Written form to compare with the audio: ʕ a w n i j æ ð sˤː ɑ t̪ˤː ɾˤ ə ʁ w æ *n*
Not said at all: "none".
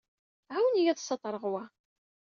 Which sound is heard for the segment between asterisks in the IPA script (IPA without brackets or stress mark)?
none